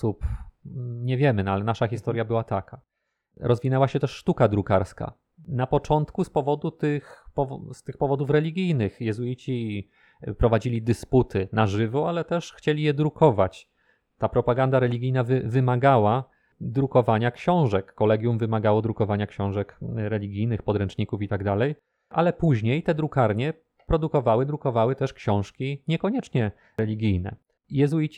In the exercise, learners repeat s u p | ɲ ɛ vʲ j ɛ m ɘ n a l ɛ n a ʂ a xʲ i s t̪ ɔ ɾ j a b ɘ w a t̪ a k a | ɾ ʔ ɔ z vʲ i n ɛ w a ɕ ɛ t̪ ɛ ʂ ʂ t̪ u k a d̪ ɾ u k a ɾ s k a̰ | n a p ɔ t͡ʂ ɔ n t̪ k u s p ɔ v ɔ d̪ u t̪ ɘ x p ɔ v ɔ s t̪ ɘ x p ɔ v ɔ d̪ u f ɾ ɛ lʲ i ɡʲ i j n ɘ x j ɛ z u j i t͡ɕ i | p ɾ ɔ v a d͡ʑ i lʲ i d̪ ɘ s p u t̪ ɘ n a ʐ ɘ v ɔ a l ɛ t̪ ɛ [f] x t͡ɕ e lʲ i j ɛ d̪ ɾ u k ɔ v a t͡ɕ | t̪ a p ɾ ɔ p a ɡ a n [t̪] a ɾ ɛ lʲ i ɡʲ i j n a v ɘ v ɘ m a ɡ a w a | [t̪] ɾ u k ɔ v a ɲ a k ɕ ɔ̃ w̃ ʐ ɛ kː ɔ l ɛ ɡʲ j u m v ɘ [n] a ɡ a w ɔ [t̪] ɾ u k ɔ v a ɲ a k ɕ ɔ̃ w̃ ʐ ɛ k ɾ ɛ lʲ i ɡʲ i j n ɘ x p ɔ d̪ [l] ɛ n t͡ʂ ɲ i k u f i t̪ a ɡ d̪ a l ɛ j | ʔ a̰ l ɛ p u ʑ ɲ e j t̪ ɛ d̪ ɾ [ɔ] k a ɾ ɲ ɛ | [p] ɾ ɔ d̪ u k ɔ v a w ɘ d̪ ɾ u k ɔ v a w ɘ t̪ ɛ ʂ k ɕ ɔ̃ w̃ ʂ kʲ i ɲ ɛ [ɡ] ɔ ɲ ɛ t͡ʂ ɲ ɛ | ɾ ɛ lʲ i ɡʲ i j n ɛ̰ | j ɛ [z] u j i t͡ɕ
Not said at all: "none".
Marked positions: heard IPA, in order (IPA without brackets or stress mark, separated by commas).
ʂ, d̪, d̪, m, d̪, ɾ, u, p, k, z